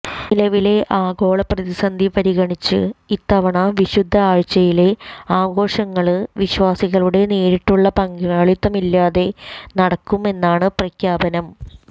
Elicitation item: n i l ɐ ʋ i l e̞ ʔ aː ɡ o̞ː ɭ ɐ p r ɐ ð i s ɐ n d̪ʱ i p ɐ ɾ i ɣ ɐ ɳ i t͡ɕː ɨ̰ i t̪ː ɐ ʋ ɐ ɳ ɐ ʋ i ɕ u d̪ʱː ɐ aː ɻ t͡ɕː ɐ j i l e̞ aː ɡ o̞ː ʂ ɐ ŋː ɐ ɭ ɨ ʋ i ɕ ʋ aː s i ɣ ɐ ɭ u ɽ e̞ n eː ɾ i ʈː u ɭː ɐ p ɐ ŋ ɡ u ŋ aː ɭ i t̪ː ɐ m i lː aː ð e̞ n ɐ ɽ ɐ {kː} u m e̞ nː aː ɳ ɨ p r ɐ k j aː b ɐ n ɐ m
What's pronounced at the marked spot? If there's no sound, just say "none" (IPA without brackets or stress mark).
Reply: kː